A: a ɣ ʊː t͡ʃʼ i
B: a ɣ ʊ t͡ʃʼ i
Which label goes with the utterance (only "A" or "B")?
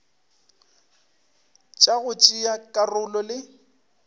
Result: B